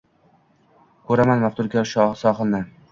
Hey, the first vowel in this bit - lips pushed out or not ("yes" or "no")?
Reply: yes